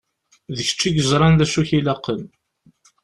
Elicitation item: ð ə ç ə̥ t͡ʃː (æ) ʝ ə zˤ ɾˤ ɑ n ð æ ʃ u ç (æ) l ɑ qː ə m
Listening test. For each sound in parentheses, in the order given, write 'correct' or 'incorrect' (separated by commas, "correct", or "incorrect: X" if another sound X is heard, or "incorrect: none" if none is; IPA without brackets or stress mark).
incorrect: i, incorrect: i